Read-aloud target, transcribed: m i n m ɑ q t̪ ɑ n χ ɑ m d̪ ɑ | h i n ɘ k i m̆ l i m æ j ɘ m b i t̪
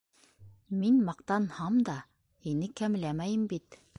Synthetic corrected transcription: m i n m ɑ q t̪ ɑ n h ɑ m d̪ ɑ | h i n ɘ k æ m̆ l æ m æ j ɘ m b i t̪